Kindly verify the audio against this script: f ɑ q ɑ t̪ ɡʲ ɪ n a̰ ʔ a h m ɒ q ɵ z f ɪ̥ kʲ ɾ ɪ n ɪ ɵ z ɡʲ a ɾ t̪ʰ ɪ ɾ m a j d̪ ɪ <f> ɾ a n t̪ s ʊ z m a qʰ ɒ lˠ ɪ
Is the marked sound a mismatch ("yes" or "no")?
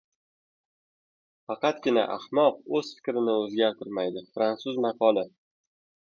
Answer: no